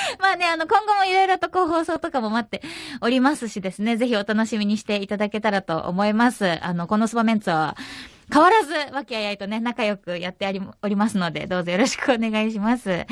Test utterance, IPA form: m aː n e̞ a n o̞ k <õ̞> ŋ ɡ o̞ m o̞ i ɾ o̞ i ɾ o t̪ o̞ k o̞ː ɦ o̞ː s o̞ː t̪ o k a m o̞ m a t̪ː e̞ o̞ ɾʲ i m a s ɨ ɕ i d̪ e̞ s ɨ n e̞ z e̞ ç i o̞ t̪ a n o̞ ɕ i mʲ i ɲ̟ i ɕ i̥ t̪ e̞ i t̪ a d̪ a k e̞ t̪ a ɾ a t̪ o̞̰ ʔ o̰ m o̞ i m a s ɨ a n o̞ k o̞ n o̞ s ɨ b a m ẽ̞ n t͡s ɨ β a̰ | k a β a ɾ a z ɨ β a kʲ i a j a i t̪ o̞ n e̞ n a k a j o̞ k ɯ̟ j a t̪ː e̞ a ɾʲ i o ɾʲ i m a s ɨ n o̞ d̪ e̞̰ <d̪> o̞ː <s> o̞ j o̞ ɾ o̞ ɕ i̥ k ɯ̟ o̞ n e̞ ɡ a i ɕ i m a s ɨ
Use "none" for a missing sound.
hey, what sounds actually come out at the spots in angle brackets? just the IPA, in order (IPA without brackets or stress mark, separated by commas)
õ̞, d̪, z